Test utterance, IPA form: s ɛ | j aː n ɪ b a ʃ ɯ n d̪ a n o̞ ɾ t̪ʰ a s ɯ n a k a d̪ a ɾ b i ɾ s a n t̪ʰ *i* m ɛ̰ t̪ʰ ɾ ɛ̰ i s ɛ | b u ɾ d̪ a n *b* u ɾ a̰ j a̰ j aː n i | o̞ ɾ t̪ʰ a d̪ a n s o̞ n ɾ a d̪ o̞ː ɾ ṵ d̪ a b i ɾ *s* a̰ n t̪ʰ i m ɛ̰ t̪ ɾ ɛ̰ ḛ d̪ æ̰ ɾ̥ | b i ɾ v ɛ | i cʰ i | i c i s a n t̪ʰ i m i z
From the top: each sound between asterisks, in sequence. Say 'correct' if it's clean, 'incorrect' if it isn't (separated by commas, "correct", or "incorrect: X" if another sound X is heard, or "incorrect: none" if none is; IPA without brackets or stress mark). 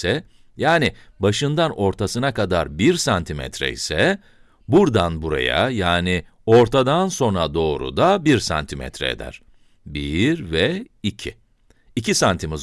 correct, correct, correct